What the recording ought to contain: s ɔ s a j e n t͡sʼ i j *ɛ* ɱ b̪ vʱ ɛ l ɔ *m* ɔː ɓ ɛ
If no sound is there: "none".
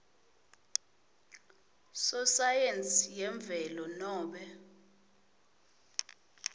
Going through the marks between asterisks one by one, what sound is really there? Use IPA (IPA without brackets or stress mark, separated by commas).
ɛ, n